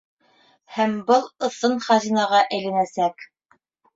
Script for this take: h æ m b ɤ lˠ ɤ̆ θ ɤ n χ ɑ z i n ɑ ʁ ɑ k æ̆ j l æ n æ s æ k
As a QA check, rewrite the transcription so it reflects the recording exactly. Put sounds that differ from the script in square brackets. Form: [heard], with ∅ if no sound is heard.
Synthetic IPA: h æ m b ɤ lˠ ɤ̆ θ ɤ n χ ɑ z i n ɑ ʁ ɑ [ʔ] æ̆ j l æ n æ s æ k